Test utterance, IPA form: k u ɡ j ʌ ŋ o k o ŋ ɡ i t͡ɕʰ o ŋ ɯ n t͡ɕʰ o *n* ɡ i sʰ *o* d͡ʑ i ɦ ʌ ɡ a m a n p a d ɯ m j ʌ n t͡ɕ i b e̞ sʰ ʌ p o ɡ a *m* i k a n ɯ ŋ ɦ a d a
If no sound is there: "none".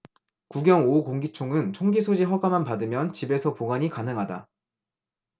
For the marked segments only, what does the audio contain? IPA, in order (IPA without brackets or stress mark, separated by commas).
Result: ŋ, o, ɲ